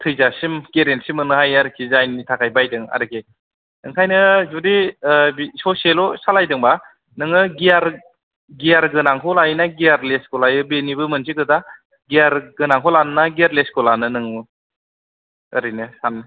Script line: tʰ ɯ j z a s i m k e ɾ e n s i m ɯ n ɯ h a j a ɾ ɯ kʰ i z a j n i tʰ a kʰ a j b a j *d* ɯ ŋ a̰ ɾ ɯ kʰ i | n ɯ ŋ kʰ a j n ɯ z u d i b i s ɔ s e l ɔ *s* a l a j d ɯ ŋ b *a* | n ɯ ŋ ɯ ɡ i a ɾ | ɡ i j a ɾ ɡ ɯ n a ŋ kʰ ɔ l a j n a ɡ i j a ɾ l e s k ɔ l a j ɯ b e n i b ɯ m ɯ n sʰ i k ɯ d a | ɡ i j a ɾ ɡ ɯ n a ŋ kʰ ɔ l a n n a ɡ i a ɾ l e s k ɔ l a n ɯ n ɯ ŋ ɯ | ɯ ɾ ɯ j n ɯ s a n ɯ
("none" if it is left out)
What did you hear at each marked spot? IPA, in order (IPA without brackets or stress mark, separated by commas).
d, s, a